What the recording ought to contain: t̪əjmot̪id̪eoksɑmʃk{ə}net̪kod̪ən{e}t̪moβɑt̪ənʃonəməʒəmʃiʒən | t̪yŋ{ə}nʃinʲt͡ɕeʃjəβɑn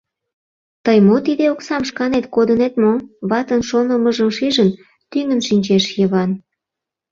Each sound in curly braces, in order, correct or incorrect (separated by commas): incorrect, correct, correct